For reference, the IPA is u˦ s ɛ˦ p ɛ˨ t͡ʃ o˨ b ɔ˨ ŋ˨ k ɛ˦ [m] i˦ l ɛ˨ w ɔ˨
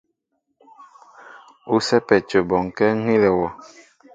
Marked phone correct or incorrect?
incorrect